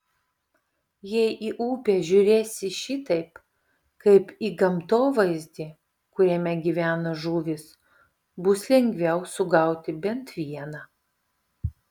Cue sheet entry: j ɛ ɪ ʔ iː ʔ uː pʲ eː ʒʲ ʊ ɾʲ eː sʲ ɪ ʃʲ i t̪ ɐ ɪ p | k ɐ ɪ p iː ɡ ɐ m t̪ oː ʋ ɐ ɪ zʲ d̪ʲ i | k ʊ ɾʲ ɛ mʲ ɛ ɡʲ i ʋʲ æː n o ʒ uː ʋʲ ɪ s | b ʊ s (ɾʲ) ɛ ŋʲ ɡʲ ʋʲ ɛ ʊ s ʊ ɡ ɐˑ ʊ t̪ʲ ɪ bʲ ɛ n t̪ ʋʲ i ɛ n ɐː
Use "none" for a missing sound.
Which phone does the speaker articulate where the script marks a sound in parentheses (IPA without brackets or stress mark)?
lʲ